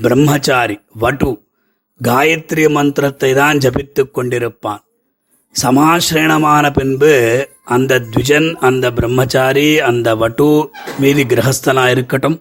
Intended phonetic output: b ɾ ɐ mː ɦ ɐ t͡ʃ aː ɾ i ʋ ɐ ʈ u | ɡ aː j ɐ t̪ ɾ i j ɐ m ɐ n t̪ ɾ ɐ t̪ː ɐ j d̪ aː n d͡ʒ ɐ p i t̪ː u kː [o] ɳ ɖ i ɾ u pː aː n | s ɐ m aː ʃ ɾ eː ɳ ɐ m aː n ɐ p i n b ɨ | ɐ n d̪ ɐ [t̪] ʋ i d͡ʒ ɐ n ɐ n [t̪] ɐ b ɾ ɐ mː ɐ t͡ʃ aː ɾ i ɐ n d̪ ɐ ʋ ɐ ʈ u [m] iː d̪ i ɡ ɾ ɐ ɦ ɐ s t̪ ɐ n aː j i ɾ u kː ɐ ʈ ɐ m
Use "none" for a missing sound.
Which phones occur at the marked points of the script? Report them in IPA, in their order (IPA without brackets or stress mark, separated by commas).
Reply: o, d̪, d̪, m